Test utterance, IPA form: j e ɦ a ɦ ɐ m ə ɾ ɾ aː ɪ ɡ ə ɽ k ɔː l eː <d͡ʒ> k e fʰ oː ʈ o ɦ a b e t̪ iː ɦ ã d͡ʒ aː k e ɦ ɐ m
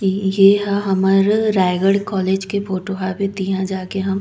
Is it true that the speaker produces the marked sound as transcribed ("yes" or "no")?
yes